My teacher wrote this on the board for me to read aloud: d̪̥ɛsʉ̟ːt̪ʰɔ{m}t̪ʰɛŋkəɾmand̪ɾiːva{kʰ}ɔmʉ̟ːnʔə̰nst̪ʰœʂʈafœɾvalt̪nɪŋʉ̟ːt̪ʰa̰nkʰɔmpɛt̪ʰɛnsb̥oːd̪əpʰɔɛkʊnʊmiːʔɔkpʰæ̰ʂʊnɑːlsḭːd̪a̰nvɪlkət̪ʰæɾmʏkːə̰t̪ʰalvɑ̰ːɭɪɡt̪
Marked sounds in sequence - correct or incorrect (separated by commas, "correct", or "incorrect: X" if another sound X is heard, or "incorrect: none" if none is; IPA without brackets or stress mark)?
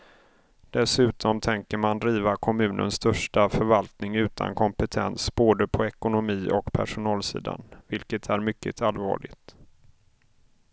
correct, correct